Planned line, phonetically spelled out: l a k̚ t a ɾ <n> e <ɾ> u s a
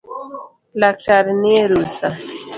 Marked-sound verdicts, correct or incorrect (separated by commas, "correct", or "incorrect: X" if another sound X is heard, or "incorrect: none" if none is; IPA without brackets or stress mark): correct, correct